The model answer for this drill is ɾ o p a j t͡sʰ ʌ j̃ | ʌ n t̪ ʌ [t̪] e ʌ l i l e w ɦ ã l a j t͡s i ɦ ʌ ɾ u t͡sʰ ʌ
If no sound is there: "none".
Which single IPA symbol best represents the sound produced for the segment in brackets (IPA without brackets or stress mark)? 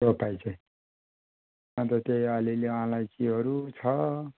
t̪